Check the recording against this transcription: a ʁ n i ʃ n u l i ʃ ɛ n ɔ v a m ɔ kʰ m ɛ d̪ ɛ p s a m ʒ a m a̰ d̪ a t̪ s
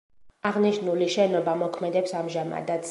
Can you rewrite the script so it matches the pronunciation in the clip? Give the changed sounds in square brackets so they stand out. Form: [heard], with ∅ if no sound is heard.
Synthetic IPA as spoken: a ʁ n i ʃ n u l i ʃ ɛ n ɔ [b] a m ɔ kʰ m ɛ d̪ ɛ p s a m ʒ a m a̰ d̪ a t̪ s